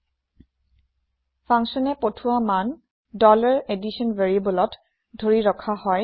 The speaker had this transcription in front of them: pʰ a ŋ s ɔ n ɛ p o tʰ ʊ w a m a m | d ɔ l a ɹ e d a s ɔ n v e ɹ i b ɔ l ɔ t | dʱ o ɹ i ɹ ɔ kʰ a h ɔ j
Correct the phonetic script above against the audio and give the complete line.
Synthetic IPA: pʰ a ŋ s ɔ n ɛ p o tʰ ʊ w a m a n | d ɔ l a ɹ e d i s ɔ n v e ɹ i b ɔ l ɔ t | dʱ o ɹ i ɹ ɔ kʰ a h ɔ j